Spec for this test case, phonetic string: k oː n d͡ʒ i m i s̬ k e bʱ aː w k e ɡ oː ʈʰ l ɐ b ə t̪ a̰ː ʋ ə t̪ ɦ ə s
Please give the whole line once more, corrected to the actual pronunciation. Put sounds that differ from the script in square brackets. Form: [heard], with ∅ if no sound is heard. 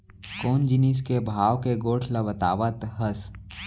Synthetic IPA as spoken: k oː n d͡ʒ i [n] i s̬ k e bʱ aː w k e ɡ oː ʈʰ l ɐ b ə t̪ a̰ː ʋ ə t̪ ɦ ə s